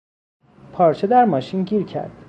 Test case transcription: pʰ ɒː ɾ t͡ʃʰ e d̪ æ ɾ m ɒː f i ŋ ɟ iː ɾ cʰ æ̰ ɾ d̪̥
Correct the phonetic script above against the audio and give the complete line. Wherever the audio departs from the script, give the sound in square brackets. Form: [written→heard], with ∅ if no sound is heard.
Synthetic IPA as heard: pʰ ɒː ɾ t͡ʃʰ e d̪ æ ɾ m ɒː [f→ʃ] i [ŋ→n] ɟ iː ɾ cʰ æ̰ ɾ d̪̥